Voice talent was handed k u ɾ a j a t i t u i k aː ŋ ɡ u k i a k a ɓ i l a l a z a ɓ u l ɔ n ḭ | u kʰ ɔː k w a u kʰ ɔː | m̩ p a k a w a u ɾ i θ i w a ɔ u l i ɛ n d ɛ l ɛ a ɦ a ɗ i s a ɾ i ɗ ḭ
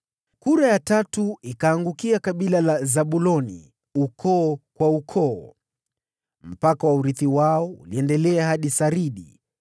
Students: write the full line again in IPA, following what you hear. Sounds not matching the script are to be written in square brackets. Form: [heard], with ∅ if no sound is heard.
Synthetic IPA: k u ɾ a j a t [a] t u i k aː ŋ ɡ u k i a k a ɓ i l a l a z a ɓ u l ɔ n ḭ | u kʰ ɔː k w a u kʰ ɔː | m̩ p a k a w a u ɾ i θ i w a ɔ u l i ɛ n d ɛ l ɛ a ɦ a ɗ i s a ɾ i ɗ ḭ